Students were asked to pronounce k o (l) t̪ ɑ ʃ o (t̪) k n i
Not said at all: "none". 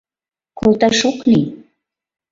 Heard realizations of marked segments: l, none

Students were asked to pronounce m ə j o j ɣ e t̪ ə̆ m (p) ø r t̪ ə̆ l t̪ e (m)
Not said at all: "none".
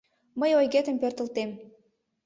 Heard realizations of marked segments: p, m

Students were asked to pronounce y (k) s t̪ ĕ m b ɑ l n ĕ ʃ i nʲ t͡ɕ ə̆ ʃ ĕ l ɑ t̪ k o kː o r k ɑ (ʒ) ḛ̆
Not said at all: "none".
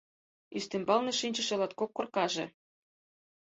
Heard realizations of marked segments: none, ʒ

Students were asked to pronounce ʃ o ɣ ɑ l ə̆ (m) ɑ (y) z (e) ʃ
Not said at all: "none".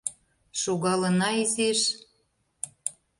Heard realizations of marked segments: n, i, e

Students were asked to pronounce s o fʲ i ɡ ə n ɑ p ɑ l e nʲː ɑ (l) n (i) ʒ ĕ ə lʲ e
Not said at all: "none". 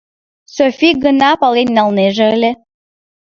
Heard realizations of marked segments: l, e

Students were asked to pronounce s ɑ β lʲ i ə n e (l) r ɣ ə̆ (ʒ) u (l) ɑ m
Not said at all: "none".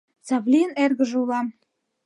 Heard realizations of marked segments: none, ʒ, l

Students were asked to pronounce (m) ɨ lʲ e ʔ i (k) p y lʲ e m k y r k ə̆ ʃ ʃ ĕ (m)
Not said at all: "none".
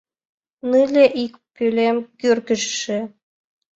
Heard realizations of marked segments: n, k, none

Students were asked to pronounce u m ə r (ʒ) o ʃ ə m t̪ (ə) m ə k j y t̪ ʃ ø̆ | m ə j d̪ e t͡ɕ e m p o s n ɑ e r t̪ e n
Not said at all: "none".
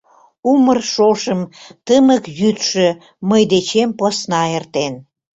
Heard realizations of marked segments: ʃ, ə

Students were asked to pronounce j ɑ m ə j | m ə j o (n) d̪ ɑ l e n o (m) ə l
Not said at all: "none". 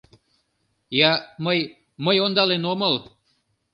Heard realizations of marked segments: n, m

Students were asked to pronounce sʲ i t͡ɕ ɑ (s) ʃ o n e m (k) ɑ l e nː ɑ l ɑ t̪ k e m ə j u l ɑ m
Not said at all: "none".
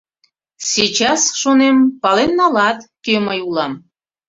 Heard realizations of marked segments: s, p

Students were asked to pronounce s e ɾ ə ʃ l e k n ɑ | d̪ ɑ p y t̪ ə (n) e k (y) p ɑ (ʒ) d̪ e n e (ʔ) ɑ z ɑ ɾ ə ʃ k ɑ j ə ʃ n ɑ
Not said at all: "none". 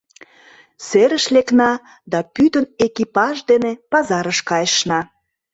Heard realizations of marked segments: n, i, ʒ, p

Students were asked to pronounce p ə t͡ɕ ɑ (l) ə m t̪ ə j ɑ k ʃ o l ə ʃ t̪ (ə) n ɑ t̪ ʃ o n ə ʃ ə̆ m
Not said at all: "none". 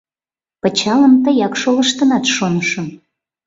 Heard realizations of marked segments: l, ə

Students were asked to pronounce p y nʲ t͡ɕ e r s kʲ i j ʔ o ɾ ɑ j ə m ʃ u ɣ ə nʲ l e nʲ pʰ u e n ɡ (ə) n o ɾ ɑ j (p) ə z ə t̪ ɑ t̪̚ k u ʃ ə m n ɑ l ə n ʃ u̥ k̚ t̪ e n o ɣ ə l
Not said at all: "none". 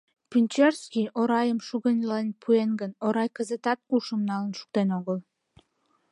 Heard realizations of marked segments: ə, k

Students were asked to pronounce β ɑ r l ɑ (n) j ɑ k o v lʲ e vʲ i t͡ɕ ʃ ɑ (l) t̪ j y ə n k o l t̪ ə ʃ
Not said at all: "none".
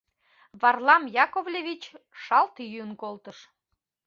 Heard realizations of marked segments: m, l

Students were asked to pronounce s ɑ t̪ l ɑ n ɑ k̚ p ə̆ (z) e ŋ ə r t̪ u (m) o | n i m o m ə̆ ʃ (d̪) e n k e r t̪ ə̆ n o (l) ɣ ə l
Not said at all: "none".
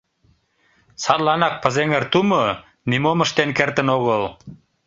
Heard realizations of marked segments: z, m, t̪, none

